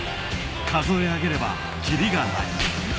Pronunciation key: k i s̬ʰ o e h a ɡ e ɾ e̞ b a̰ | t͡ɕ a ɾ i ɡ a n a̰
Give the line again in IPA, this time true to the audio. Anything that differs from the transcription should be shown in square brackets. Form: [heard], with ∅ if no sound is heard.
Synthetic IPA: k [a] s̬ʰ o e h a ɡ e ɾ e̞ b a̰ | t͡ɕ [i] ɾ i ɡ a n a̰